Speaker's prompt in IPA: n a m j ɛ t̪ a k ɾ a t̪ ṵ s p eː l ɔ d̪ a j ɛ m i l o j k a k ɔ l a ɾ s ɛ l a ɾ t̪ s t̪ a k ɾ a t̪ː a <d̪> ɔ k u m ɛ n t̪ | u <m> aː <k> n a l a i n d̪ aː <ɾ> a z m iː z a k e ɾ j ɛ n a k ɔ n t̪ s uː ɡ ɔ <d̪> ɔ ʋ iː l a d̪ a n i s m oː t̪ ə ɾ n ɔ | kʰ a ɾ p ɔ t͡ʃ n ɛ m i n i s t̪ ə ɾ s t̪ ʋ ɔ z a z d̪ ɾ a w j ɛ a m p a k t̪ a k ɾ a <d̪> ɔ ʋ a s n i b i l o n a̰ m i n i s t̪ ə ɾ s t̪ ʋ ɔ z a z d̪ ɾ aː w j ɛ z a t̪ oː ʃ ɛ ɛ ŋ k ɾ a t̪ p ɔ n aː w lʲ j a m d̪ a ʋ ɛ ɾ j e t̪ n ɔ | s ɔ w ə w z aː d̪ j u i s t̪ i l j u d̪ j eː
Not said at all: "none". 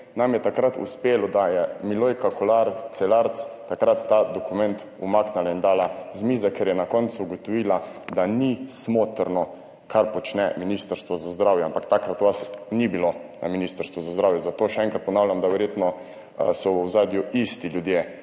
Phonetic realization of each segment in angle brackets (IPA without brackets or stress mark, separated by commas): d̪, m, k, l, t̪, t̪